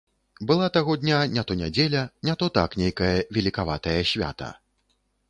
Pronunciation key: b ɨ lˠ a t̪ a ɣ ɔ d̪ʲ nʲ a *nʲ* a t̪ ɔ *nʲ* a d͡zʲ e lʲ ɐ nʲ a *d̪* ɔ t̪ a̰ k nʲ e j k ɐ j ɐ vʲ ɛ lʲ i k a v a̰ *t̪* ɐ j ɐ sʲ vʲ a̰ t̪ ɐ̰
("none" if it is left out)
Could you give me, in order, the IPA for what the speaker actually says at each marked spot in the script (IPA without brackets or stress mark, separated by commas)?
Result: nʲ, nʲ, t̪, t̪